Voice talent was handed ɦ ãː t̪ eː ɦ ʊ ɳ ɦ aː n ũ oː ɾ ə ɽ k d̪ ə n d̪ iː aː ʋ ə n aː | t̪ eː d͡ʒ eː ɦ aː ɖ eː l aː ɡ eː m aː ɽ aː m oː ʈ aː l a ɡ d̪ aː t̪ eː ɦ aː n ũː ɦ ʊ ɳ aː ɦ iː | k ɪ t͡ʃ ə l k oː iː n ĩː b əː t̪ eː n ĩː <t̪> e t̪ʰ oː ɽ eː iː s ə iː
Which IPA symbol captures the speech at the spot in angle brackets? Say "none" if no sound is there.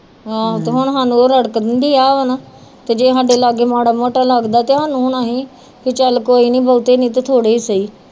t̪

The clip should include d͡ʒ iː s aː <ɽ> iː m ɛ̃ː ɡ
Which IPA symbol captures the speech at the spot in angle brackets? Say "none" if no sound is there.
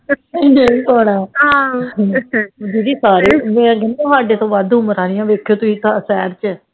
ɾ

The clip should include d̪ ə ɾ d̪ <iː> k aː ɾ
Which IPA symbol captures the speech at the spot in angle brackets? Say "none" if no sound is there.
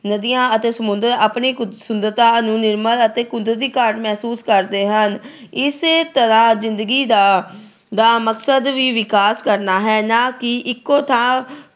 iː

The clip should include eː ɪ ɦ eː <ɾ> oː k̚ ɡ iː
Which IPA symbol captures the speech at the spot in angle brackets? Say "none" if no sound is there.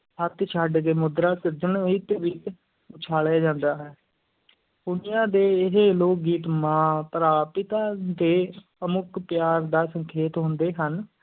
l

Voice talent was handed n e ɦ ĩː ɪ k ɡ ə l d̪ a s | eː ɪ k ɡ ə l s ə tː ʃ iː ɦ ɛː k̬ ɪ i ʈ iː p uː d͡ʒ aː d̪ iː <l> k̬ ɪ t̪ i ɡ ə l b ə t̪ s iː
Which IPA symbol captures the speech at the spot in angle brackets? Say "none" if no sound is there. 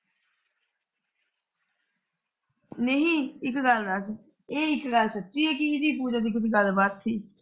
none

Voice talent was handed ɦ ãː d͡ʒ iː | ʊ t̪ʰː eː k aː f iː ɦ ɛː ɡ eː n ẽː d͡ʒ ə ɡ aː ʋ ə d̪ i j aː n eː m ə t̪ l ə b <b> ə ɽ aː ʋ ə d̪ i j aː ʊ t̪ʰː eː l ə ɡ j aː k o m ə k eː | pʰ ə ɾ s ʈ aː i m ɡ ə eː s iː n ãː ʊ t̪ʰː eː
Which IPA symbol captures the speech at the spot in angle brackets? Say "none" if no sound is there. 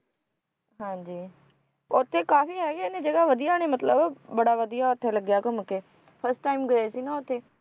b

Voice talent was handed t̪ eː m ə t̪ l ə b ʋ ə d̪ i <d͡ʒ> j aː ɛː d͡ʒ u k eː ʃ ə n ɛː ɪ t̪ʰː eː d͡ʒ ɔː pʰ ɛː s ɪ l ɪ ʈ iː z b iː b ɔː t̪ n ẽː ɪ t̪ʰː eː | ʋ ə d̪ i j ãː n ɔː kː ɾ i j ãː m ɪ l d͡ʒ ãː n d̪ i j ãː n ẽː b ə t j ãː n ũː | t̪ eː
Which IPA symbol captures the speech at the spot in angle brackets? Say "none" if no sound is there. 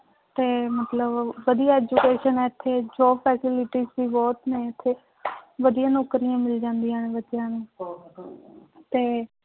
none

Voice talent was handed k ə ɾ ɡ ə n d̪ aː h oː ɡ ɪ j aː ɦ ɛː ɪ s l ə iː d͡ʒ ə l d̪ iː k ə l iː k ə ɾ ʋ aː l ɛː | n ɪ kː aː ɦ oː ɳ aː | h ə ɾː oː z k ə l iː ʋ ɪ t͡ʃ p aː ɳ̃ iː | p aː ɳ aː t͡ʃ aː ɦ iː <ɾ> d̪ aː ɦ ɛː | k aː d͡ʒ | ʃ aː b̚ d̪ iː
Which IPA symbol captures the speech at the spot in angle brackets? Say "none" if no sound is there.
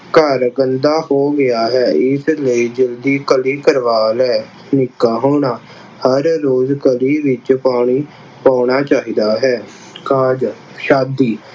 none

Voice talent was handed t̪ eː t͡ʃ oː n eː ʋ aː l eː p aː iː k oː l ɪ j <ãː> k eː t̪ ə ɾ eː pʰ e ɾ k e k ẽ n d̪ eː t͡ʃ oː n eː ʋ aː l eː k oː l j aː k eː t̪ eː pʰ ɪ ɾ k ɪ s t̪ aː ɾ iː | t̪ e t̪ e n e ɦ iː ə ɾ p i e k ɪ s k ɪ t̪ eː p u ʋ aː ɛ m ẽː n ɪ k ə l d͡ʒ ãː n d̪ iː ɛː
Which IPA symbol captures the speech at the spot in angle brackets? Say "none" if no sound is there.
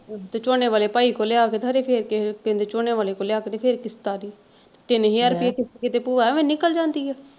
aː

